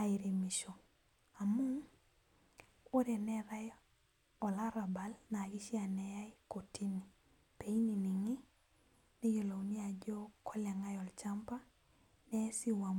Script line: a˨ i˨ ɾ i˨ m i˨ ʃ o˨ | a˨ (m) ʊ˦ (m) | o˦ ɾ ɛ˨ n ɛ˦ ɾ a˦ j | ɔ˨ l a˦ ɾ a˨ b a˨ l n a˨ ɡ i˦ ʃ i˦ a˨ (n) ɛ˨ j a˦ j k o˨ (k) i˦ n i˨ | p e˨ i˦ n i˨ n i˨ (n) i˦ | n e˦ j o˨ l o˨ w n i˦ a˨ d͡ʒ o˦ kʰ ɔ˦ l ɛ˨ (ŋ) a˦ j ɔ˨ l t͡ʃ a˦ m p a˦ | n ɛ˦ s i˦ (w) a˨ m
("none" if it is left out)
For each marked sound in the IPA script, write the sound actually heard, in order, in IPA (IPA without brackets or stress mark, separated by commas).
m, ŋ, n, t, ŋ, ŋ, w